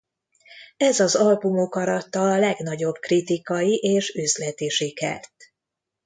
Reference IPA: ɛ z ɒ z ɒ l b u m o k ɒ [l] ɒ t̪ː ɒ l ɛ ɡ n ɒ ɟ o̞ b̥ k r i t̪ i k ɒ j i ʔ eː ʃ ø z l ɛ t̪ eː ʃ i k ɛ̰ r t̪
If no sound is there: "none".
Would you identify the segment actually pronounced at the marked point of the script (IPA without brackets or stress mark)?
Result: ɾ